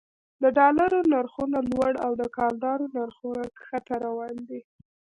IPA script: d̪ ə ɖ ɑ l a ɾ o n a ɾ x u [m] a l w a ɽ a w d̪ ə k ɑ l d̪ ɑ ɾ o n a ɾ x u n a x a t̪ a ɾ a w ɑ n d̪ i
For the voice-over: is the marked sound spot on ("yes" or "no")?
no